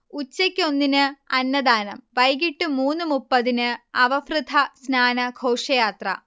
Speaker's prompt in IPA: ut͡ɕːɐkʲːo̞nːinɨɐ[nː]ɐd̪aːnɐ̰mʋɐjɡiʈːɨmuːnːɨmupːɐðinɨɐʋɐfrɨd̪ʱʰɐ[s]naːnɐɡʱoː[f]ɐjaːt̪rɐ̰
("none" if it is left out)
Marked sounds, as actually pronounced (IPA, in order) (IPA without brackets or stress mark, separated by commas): nː, s, ʂ